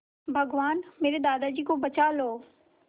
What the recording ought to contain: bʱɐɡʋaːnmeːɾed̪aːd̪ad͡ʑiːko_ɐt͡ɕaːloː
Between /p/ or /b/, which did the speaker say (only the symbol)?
b